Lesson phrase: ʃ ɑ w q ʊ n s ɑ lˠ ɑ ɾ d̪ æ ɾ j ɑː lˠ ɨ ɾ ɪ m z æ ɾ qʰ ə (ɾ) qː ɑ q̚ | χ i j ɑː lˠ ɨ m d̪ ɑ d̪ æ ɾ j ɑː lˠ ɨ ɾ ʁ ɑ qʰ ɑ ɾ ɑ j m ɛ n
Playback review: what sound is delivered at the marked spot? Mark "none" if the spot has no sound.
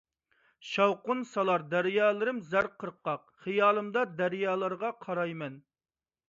ɾ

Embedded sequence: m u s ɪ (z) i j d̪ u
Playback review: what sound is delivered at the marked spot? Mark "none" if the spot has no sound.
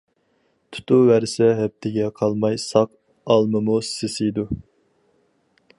s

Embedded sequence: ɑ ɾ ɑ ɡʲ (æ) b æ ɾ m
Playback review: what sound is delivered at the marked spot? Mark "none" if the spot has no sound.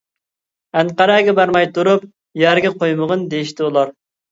ɛ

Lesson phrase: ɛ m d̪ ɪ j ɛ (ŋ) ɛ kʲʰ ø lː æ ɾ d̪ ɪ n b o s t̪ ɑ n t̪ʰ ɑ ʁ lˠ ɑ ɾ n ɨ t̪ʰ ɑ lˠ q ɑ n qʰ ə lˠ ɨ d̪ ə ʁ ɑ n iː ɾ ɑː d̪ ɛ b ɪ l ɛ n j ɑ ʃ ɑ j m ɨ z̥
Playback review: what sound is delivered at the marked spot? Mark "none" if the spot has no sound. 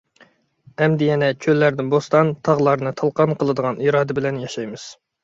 n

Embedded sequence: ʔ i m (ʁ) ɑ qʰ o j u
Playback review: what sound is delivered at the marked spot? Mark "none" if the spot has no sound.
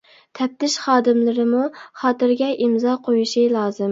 z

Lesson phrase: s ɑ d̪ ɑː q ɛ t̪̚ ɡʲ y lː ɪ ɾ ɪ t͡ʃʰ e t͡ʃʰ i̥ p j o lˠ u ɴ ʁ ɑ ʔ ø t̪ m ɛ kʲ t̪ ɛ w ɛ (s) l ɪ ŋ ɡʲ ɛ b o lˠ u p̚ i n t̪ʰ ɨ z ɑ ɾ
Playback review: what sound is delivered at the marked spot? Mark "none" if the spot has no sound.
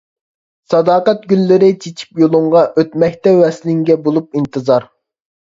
s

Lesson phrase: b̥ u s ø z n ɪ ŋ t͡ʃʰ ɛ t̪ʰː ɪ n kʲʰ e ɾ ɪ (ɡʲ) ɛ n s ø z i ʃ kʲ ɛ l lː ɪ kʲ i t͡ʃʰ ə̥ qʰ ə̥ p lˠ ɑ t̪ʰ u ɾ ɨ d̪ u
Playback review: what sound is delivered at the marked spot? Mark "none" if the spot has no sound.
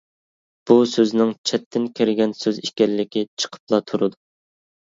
ɡʲ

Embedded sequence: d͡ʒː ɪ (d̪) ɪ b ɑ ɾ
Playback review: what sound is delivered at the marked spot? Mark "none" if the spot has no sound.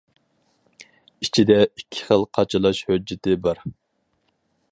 t̪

